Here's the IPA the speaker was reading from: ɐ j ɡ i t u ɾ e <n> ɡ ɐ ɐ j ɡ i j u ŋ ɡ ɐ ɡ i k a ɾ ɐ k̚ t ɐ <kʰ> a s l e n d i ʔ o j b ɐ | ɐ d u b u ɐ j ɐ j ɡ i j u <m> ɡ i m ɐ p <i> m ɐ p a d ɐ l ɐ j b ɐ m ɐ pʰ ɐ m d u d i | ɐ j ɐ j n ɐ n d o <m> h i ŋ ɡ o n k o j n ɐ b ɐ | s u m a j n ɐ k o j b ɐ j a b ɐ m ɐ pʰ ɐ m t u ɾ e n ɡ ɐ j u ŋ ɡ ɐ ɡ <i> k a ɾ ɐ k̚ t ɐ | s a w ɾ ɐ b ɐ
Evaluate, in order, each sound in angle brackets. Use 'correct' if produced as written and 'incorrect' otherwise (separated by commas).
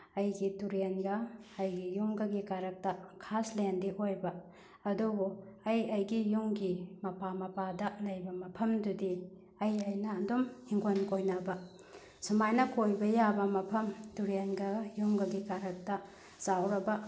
correct, correct, incorrect, incorrect, correct, correct